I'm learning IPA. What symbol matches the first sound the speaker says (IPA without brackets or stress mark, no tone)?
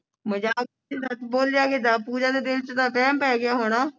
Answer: m